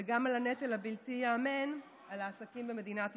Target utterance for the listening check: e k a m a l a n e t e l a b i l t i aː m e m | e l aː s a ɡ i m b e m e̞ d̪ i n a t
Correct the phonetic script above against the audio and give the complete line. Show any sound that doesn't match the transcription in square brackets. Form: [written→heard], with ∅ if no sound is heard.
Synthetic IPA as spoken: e [k→ɡ] a m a l a n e t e l a b i l t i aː m e [m→n] | [e→a] l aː s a [ɡ→k] i m b e m e̞ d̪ i n a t